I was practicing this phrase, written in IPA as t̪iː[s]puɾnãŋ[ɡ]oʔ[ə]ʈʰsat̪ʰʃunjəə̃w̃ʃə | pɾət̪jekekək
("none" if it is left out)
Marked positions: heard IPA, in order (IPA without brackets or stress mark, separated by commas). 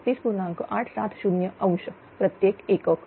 s, k, a